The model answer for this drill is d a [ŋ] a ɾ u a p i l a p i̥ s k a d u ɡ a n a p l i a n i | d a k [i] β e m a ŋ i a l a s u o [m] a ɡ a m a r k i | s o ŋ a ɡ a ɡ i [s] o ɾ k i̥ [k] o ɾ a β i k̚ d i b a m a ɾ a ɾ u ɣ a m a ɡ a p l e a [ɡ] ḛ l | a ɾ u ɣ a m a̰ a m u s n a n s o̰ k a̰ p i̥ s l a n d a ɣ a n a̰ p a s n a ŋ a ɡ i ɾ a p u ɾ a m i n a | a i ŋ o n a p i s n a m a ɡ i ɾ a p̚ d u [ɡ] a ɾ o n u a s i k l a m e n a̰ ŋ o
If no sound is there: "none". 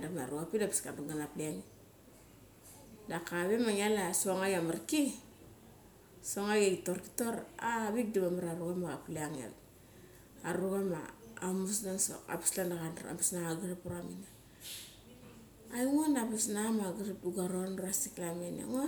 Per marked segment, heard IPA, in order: m, a, ŋ, t, t, ŋ, ɡ

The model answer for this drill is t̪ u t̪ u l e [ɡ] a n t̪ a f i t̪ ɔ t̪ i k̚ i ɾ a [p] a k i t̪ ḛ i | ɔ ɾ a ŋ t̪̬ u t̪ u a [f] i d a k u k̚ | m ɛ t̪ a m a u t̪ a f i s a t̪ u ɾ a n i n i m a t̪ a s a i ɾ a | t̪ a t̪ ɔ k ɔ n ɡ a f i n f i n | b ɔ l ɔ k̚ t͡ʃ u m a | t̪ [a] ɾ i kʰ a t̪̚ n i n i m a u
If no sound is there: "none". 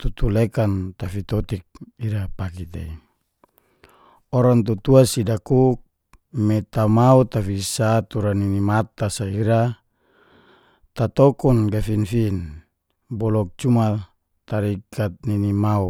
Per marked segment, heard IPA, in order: k, p, s, a

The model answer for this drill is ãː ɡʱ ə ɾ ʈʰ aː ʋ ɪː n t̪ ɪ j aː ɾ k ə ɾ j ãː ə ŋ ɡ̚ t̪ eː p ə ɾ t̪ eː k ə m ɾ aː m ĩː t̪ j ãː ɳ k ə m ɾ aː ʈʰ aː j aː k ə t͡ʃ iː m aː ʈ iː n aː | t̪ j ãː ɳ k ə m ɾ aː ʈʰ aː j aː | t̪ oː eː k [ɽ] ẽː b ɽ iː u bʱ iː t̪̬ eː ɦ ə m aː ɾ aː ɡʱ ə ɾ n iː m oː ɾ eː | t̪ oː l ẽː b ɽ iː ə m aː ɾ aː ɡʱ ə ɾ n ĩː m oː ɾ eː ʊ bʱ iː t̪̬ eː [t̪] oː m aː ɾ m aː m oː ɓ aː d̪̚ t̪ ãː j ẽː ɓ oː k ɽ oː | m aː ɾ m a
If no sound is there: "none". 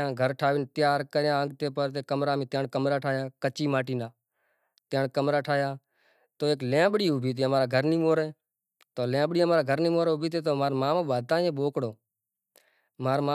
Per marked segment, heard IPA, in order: l, t̪

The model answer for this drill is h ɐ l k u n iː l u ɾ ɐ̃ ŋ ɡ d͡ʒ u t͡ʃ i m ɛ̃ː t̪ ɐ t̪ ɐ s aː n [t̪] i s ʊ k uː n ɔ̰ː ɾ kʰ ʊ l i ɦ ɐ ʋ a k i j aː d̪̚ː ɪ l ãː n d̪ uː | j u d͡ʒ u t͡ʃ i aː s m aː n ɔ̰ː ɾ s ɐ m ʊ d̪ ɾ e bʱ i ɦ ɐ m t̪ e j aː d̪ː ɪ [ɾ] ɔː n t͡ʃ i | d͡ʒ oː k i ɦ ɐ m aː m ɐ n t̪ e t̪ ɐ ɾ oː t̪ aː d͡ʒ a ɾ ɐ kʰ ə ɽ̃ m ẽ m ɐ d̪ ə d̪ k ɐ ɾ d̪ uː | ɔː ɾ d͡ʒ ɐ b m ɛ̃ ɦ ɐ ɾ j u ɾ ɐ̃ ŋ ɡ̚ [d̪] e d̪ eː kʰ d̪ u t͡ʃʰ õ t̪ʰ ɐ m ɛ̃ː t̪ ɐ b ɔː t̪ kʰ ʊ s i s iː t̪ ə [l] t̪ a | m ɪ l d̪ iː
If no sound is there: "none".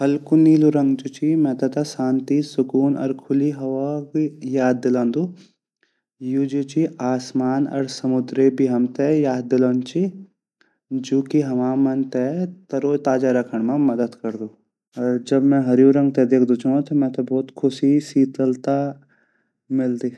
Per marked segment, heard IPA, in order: t̪, l, t̪, l

